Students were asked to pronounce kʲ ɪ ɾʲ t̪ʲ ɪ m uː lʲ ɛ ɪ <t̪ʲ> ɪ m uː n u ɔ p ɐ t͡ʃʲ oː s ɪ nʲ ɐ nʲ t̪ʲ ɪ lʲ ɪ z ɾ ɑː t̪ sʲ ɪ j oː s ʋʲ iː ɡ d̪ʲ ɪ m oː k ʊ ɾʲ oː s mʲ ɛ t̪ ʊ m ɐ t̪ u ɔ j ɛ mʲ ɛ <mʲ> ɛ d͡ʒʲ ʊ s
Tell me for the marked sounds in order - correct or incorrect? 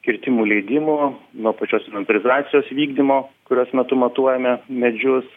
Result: incorrect, correct

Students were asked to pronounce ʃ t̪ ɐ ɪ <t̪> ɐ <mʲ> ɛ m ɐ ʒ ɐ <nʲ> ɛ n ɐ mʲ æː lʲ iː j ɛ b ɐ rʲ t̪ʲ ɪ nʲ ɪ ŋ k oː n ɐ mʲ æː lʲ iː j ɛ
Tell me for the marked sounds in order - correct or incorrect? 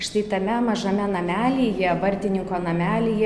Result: correct, correct, incorrect

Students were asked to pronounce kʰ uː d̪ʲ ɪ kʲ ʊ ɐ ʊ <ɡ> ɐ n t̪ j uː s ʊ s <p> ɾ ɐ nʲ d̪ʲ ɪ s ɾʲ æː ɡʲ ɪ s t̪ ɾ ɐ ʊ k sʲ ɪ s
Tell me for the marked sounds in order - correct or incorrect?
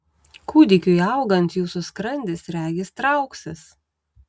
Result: correct, incorrect

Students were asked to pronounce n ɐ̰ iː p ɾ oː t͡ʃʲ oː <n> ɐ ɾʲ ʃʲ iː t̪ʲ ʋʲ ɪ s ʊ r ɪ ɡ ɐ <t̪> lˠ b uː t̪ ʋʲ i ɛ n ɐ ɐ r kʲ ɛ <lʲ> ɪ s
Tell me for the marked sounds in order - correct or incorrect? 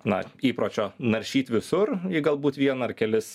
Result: correct, incorrect, correct

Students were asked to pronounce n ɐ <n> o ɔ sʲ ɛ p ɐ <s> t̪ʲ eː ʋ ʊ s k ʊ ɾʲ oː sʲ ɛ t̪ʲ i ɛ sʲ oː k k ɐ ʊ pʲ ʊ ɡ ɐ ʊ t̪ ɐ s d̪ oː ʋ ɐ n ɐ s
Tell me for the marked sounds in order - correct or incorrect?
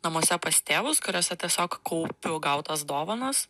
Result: incorrect, correct

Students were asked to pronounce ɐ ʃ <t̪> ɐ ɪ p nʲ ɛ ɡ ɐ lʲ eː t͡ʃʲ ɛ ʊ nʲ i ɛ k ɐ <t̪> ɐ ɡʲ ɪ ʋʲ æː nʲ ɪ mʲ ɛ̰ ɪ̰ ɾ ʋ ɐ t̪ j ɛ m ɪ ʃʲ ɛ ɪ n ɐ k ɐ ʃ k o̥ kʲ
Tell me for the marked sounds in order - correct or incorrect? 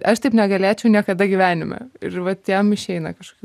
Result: correct, incorrect

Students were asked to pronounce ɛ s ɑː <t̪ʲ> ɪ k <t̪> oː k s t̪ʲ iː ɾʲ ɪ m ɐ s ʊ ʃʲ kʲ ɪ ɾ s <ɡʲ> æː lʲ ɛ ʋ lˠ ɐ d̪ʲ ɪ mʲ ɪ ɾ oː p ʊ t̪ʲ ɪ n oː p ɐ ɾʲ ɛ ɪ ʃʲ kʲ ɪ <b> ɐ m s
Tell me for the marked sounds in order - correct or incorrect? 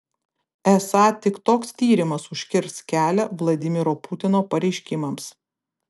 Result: correct, correct, incorrect, incorrect

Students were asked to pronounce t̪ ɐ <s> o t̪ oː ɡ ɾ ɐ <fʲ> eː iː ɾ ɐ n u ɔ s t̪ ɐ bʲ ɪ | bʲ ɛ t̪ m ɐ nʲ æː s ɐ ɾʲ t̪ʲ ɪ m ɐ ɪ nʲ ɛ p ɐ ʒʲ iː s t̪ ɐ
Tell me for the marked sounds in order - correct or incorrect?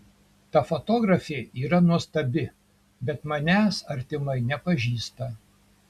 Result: incorrect, correct

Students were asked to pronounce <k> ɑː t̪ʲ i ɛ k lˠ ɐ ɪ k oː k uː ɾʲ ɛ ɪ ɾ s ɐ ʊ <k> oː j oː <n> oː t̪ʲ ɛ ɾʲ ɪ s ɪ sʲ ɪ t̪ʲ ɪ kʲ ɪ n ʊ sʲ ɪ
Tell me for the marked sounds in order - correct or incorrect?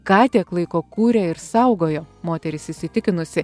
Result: correct, incorrect, incorrect

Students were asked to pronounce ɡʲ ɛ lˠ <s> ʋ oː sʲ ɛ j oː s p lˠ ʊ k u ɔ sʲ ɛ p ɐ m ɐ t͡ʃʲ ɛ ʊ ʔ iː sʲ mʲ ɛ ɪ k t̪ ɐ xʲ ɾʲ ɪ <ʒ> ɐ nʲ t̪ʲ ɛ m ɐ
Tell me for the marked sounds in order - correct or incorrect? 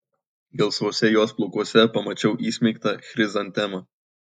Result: correct, incorrect

